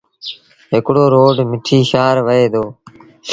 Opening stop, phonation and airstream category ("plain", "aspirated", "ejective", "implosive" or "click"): plain